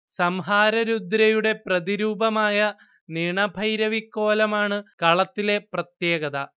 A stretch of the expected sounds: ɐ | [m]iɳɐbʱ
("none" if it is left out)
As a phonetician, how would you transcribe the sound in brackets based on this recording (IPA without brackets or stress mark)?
n